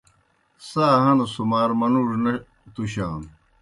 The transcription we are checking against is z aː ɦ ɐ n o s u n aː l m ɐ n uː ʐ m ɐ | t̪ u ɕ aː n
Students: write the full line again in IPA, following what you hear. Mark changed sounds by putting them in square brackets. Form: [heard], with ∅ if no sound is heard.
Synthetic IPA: [s] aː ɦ ɐ n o s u [m] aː [ɾ] m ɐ n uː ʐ [n] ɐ | t̪ u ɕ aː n